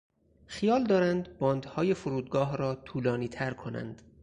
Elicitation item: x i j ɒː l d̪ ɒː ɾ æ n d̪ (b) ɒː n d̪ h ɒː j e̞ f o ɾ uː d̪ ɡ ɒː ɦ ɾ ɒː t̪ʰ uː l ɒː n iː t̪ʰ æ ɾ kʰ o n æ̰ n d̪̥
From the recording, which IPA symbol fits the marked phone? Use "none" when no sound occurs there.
b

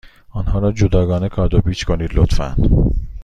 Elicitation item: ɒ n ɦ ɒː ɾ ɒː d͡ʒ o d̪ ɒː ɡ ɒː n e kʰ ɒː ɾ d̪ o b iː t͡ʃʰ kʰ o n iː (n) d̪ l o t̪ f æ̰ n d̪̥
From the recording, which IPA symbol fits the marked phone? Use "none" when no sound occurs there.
none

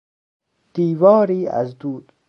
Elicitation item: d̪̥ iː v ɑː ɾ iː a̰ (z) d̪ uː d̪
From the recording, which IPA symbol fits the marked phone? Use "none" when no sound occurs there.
z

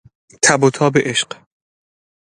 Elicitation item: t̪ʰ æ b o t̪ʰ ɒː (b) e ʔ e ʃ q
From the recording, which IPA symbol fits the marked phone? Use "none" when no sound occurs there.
b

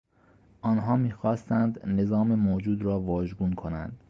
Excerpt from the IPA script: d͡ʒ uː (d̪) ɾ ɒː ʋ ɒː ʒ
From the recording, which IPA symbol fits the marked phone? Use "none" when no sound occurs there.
d̪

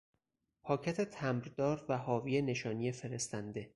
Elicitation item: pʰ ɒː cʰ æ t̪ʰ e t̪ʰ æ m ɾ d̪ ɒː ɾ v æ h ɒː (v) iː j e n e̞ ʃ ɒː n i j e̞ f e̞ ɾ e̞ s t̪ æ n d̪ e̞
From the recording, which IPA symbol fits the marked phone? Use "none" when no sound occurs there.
v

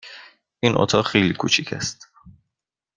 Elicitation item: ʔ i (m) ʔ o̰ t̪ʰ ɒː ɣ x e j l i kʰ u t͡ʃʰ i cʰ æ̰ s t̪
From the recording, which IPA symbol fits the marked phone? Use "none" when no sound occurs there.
n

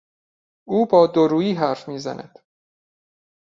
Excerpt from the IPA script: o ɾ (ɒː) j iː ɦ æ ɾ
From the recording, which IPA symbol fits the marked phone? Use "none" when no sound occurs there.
uː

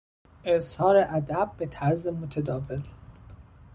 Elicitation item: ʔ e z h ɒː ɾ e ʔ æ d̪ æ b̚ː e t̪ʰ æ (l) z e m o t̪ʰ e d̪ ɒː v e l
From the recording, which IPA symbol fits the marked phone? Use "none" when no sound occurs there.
ɾ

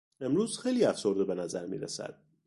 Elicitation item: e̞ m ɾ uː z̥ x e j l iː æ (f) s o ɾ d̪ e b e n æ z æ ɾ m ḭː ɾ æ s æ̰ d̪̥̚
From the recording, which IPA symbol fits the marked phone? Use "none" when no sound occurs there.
f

